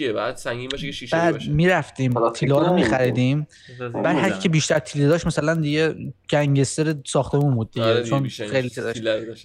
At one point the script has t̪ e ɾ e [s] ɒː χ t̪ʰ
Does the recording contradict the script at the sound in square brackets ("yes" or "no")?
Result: no